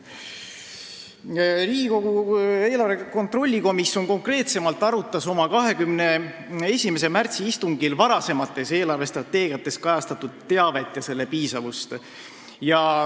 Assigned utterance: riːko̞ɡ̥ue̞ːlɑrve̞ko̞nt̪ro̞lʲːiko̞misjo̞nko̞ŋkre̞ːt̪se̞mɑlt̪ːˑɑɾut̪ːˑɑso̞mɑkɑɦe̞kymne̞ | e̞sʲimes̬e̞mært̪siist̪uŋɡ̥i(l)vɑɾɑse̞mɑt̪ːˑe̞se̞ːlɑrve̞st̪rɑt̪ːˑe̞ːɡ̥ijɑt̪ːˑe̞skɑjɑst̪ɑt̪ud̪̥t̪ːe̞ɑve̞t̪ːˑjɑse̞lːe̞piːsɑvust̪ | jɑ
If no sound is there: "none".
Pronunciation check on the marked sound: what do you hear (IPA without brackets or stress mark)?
l